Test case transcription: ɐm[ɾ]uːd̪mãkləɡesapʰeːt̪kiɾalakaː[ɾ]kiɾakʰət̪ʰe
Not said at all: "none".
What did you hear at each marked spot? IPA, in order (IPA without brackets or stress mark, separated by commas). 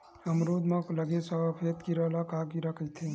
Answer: ɾ, none